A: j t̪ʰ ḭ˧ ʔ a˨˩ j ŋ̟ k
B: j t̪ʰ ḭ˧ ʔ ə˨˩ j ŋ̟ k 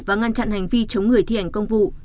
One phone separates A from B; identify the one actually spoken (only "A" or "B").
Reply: A